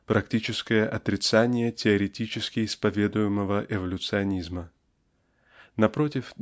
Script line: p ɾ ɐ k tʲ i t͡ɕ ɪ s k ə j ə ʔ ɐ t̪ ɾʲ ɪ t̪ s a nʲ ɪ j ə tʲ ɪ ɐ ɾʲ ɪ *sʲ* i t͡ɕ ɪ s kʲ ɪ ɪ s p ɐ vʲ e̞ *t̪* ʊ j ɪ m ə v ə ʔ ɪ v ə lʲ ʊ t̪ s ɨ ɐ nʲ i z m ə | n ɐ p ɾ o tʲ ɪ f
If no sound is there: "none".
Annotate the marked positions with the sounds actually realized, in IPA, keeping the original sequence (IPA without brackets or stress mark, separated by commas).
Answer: tʲ, d̪